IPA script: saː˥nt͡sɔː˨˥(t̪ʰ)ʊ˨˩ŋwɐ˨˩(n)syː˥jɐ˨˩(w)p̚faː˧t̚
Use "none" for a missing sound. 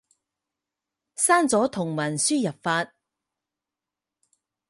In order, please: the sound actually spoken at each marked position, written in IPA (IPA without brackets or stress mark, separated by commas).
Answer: t̪ʰ, n, none